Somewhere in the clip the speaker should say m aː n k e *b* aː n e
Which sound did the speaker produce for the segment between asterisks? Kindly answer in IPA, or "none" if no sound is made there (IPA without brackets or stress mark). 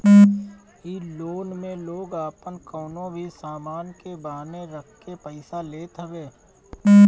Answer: b